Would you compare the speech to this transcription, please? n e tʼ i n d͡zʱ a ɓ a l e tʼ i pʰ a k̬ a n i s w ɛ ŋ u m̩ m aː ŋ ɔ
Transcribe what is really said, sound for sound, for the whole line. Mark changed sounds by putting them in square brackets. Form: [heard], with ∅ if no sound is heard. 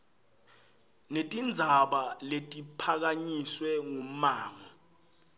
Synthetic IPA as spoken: n e tʼ i n d͡zʱ a ɓ a l e tʼ i pʰ a k̬ a [ɲ] i s w ɛ ŋ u m̩ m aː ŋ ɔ

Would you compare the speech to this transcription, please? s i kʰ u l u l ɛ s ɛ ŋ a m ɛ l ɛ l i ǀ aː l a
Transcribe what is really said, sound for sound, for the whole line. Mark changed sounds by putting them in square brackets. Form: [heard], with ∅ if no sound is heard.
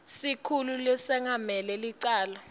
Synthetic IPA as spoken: s i kʰ u l u l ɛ s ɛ ŋ a m ɛ l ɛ l i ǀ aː l a

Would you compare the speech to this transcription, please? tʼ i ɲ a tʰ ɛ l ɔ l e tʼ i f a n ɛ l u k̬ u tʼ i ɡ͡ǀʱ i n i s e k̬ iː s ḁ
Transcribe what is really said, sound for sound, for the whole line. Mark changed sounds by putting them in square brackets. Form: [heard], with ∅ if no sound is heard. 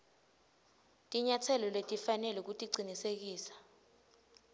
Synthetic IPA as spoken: tʼ i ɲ a tʰ ɛ l ɔ l e tʼ i f a n ɛ l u k̬ u tʼ i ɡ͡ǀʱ i n i s e k̬ iː s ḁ

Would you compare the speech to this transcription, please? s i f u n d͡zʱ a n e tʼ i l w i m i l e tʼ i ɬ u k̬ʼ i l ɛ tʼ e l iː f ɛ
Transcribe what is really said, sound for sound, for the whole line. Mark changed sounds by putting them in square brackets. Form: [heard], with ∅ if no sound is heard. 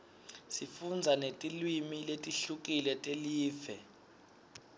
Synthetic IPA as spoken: s i f u n d͡zʱ a n e tʼ i l w i m i l e tʼ i ɬ u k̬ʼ i l ɛ tʼ e l iː f ɛ

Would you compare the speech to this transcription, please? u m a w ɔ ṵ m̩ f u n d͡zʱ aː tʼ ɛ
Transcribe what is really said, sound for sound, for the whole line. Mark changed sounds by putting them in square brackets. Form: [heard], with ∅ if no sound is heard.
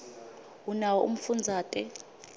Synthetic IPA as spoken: u [n] a w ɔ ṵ m̩ f u n d͡zʱ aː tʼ ɛ

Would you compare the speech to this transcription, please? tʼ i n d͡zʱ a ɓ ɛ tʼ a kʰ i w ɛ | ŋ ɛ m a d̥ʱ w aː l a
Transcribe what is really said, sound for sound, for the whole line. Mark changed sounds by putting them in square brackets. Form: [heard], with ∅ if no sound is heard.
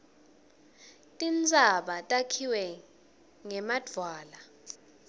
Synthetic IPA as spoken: tʼ i n d͡zʱ a ɓ [a] tʼ a kʰ i w ɛ | ŋ ɛ m a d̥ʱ w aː l a

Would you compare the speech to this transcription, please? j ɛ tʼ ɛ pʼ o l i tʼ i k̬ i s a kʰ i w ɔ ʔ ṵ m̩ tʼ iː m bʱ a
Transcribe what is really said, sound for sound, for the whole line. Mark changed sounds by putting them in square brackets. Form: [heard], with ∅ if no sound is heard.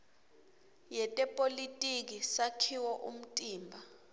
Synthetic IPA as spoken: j ɛ tʼ ɛ pʼ o l i tʼ i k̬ i s a kʰ i w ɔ ʔ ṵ m̩ tʼ iː m bʱ a

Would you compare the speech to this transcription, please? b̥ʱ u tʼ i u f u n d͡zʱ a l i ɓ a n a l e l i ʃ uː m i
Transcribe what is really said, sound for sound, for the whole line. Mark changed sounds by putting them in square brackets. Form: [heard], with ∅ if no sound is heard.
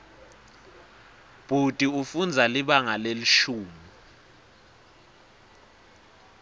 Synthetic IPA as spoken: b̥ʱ u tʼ i u f u n d͡zʱ a l i ɓ a [ŋ] a l e l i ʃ uː m i

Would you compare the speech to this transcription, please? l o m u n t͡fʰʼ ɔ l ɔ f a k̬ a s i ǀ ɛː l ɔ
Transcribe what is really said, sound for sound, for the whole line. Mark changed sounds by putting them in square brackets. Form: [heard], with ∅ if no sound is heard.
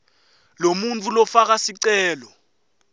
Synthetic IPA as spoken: l o m u n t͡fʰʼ [u] l ɔ f a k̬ a s i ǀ ɛː l ɔ

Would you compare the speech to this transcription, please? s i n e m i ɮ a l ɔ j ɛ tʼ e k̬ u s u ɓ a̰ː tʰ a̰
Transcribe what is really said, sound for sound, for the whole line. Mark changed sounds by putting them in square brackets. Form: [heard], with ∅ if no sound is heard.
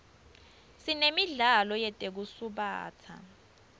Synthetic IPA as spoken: s i n e m i ɮ a l ɔ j ɛ tʼ e k̬ u s u ɓ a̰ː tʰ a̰

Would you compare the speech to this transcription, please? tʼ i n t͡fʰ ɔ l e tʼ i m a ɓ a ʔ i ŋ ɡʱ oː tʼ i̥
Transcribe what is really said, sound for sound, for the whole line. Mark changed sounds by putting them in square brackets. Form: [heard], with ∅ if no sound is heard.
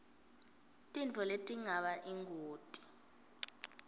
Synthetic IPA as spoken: tʼ i n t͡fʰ ɔ l e tʼ i [ŋ] a ɓ a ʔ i ŋ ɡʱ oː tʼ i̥

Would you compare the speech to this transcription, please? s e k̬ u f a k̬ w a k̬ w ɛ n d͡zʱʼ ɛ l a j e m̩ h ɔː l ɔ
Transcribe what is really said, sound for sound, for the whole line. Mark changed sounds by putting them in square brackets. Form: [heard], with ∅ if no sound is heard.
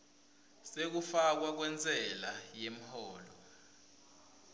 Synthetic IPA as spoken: s e k̬ u f a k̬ w a k̬ w ɛ n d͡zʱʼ ɛ l a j e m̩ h ɔː l ɔ

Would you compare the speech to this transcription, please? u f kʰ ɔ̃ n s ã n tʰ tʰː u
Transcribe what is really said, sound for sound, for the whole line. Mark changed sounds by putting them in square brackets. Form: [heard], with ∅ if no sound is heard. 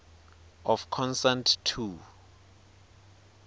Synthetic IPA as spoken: [ɔ] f kʰ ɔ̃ n s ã n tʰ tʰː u

